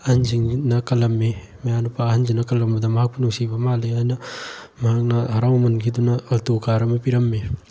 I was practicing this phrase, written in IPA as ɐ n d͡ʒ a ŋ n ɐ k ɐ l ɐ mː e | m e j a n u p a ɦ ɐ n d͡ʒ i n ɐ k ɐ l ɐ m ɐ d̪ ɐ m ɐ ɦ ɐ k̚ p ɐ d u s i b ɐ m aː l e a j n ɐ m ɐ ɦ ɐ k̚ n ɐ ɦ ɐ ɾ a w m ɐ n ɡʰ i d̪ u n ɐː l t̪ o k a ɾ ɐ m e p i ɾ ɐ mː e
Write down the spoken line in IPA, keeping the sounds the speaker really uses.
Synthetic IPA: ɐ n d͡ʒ i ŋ n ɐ k ɐ l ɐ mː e | m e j a n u p a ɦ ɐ n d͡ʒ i n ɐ k ɐ l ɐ m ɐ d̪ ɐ m ɐ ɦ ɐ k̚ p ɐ n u s i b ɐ m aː l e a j n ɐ m ɐ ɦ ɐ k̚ n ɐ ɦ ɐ ɾ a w m ɐ n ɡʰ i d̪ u n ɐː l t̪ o k a ɾ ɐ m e p i ɾ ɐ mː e